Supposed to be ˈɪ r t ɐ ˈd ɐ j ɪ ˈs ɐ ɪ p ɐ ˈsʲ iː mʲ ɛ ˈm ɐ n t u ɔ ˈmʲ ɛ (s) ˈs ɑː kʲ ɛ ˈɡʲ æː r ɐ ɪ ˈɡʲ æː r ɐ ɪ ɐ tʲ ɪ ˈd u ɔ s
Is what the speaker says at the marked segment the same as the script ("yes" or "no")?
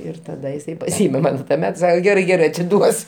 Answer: no